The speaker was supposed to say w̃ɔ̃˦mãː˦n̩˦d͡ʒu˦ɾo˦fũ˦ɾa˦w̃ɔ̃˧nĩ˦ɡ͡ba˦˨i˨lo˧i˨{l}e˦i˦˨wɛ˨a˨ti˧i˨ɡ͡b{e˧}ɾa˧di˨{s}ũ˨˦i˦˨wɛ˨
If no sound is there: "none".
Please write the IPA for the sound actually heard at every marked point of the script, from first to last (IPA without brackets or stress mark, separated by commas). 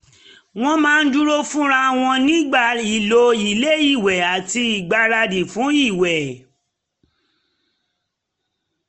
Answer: l, a˧, f